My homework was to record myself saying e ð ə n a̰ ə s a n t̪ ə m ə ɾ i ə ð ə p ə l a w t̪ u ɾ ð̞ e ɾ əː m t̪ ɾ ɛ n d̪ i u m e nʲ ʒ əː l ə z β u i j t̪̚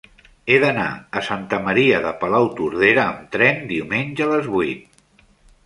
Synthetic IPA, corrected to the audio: e ð ə n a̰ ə s a n t̪ ə m ə ɾ i ə ð ə p ə l a w t̪ u ɾ ð̞ e ɾ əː m t̪ ɾ ɛ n d̪ i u m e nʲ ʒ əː l ə z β u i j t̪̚